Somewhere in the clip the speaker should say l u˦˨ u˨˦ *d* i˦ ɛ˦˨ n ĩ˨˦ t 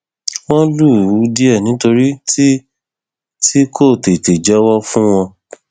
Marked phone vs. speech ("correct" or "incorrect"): correct